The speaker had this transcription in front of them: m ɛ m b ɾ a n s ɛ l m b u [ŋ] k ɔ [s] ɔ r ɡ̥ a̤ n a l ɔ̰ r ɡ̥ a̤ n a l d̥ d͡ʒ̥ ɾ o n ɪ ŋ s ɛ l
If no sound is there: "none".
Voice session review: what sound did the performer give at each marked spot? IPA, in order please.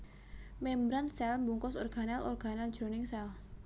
ŋ, s

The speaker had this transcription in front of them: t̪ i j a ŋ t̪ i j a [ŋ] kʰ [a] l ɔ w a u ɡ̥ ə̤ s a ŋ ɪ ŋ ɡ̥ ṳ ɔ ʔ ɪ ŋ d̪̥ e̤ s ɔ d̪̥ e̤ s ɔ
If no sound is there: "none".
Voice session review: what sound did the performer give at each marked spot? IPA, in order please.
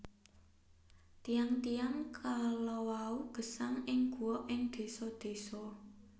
ŋ, a

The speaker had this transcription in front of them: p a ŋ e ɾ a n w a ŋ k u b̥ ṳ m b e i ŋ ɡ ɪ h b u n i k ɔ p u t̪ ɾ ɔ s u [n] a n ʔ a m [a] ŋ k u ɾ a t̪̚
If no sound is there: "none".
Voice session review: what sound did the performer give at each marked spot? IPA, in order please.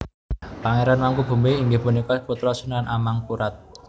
n, a

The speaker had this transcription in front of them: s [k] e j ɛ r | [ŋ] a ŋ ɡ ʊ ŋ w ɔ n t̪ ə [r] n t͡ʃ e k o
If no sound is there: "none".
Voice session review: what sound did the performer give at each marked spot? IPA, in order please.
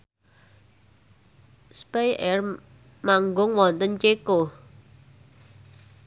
p, m, none

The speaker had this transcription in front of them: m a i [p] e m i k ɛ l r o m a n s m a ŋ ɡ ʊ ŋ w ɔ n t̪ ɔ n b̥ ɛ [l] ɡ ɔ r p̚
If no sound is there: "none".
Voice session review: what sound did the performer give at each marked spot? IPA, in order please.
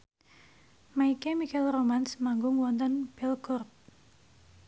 k, l

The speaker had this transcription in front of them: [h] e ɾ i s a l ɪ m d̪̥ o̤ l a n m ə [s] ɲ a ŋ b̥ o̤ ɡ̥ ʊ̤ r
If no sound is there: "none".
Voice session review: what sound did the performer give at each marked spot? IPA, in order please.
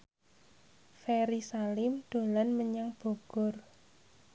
f, none

